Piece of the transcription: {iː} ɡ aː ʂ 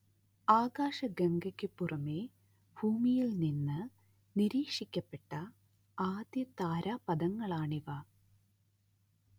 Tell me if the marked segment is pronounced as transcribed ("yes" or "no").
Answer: no